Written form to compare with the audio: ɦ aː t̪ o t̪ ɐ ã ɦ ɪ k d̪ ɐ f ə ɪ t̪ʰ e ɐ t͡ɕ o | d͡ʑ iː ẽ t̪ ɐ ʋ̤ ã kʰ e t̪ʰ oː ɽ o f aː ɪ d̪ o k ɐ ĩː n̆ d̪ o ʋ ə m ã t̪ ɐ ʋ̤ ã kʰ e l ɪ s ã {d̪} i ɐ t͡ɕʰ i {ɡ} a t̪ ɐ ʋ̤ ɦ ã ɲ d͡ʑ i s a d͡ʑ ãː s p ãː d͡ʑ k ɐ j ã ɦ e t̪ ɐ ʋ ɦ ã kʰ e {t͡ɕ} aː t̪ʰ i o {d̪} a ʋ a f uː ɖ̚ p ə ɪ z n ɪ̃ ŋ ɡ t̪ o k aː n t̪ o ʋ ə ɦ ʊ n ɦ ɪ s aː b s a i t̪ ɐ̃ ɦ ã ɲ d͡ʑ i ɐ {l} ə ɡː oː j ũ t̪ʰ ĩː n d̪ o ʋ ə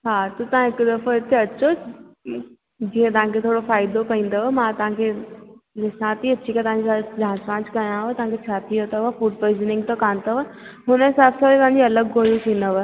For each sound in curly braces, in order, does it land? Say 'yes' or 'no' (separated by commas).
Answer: no, no, no, no, yes